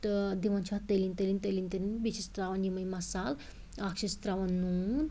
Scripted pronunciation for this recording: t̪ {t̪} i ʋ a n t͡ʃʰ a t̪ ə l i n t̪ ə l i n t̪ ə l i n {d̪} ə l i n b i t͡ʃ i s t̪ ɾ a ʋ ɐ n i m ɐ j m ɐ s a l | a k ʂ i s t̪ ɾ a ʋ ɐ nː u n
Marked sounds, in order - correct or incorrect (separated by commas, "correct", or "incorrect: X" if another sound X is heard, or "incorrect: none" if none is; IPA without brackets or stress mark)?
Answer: incorrect: d̪, incorrect: t̪